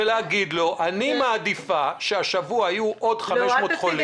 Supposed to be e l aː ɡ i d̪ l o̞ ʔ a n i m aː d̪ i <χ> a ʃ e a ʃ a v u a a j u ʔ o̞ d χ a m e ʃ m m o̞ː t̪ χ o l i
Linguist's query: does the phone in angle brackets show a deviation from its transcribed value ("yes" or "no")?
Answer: yes